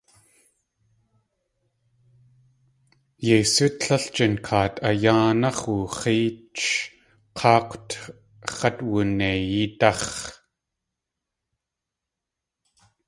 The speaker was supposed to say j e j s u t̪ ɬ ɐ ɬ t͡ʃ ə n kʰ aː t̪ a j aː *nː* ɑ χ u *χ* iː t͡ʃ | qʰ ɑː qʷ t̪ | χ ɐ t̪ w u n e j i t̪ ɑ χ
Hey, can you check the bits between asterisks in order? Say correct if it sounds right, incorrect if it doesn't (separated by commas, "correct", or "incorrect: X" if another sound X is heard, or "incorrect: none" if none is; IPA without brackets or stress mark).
incorrect: n, correct